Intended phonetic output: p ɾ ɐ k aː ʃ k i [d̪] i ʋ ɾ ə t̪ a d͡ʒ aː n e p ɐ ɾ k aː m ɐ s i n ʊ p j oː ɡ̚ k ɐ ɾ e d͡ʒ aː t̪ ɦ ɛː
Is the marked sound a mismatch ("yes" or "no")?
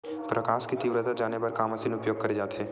yes